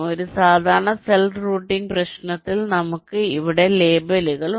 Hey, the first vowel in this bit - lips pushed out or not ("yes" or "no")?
yes